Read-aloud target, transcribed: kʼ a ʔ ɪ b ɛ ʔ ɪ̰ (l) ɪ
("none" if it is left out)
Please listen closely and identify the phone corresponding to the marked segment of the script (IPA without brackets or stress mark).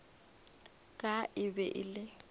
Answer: l